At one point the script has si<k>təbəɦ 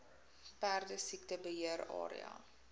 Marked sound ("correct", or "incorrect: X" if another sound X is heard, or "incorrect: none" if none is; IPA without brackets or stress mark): correct